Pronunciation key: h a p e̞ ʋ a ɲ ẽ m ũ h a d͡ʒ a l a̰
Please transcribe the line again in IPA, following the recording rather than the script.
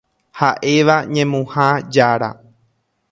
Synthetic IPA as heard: h a ʔ e̞ ʋ a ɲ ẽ m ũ h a d͡ʒ a ɾ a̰